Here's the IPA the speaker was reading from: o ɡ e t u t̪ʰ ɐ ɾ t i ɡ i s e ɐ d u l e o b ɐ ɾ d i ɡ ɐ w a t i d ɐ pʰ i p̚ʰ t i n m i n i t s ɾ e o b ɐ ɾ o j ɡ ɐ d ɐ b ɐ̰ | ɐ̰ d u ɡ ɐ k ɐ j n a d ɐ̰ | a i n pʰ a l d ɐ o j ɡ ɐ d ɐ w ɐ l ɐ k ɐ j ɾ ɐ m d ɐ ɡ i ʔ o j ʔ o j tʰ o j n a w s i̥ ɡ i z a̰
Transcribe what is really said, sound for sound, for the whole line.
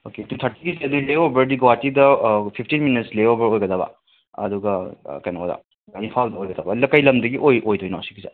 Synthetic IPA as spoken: o k e t u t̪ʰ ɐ ɾ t i ɡ i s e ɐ d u l e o b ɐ ɾ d i ɡ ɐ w a t i d ɐ pʰ i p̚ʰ t i n m i n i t s l e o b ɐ ɾ o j ɡ ɐ d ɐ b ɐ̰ | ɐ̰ d u ɡ ɐ k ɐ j n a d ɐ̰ | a i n pʰ a l d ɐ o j ɡ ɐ d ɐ b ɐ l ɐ k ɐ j l ɐ m d ɐ ɡ i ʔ o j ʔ o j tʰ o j n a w s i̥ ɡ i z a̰